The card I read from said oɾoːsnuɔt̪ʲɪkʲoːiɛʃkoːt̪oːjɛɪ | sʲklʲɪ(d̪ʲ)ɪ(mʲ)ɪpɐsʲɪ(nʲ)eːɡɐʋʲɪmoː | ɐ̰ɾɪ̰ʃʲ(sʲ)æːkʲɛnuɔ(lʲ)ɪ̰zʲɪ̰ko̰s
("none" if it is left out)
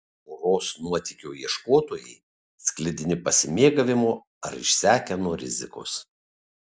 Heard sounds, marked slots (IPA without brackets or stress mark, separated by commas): d̪ʲ, nʲ, mʲ, sʲ, ɾʲ